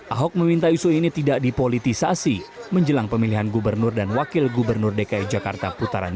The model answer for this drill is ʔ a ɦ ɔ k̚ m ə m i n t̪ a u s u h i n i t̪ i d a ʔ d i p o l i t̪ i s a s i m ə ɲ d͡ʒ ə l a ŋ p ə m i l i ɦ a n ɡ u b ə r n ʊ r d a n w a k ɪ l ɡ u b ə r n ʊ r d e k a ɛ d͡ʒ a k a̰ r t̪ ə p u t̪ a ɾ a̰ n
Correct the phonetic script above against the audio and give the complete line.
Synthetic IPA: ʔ a ɦ ɔ k̚ m ə m i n t̪ a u s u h i n i t̪ i d a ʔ d i p o l i t̪ i s a s i m ə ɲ d͡ʒ ə l a ŋ p ə m i l i ɦ a n ɡ u b ə r n ʊ r d a n w a k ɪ l ɡ u b ə r n ʊ r d e k a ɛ d͡ʒ a k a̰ r t̪ a p u t̪ a ɾ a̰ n